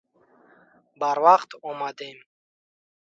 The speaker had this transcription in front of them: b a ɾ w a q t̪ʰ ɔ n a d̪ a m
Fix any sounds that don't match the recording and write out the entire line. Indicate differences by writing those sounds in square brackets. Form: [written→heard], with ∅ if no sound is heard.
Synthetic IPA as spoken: b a ɾ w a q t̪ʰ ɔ [n→m] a d̪ [a→e] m

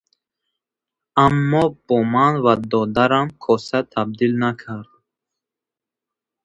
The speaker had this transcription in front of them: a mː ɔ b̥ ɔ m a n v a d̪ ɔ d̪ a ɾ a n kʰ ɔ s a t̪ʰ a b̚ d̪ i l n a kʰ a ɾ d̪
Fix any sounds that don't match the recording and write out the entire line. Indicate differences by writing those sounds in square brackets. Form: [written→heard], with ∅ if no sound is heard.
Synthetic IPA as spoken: a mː ɔ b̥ ɔ m a n v a d̪ ɔ d̪ a ɾ a [n→m] kʰ ɔ s a t̪ʰ a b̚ d̪ i l n a kʰ a ɾ d̪

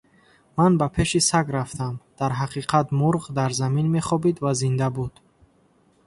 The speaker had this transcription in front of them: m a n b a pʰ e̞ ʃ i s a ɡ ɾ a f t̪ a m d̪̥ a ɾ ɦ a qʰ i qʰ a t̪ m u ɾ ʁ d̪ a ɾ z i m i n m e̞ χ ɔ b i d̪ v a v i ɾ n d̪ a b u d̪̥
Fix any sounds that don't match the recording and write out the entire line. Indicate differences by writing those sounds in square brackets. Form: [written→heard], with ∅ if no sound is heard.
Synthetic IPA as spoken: m a n b a pʰ e̞ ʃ i s a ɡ ɾ a f t̪ a m d̪̥ a ɾ ɦ a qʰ i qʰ a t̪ m u ɾ ʁ d̪ a ɾ z [i→a] m i n m e̞ χ ɔ b i d̪ v a [v→z] i [ɾ→∅] n d̪ a b u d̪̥

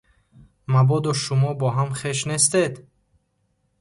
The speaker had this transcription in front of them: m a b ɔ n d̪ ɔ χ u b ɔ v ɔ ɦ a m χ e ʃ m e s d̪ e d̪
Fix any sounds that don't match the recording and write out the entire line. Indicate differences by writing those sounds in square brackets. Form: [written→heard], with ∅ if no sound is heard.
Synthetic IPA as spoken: m a b ɔ [n→∅] d̪ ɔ [χ→ʃ] u [b→m] ɔ [v→b] ɔ ɦ a m χ e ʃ [m→n] e s [d̪→t̪] e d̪

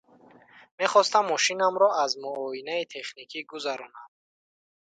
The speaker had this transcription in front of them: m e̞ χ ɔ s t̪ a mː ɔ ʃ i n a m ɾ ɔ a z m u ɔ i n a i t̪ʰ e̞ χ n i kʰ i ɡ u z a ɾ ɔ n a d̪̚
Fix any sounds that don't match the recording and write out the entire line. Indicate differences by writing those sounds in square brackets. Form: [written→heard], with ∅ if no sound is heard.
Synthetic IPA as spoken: m e̞ χ ɔ s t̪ a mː ɔ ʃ i n a m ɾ ɔ a z m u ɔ i n a i t̪ʰ e̞ χ n i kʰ i ɡ u z a ɾ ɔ n a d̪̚

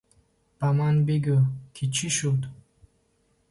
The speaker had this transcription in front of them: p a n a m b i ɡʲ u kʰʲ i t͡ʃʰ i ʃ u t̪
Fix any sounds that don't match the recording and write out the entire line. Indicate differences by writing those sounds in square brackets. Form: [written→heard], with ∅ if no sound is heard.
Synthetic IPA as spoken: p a [n→m] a [m→n] b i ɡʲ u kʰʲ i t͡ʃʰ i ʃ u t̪

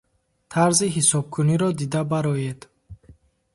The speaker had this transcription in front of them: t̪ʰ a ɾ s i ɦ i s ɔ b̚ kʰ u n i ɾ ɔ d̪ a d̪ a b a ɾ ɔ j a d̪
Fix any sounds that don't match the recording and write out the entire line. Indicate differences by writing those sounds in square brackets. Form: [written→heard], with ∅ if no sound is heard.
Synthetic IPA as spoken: t̪ʰ a ɾ [s→z] i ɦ i s ɔ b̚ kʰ u n i ɾ ɔ d̪ [a→i] d̪ a b a ɾ ɔ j [a→e] d̪

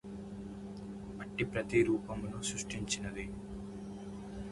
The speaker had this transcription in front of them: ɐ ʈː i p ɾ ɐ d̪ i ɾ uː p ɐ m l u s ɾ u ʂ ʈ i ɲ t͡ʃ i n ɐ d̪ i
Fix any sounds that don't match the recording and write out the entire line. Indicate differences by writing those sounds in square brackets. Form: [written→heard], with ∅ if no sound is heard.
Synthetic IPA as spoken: ɐ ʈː i p ɾ ɐ [d̪→t̪] i ɾ uː p ɐ m l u s ɾ u ʂ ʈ i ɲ t͡ʃ i n ɐ d̪ i

